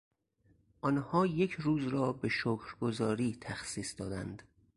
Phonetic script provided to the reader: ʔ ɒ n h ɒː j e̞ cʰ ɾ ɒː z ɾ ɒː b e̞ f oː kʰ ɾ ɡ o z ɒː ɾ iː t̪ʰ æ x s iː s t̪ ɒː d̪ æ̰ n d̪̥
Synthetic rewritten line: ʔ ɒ n h ɒː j e̞ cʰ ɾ uː z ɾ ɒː b e̞ ʃ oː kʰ ɾ ɡ o z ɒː ɾ iː t̪ʰ æ x s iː s d̪ ɒː d̪ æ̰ n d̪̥